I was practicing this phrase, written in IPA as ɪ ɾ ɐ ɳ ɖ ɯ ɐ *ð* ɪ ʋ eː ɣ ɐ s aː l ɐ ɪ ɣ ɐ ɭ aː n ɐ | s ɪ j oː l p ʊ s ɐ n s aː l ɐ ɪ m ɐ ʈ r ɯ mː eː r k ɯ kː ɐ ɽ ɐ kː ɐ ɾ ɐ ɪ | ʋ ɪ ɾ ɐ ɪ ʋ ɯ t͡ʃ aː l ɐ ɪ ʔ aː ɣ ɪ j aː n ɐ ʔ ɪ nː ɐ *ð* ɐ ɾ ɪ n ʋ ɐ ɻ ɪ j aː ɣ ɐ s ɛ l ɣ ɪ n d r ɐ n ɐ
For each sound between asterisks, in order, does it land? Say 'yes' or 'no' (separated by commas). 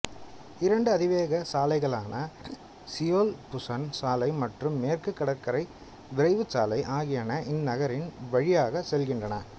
yes, no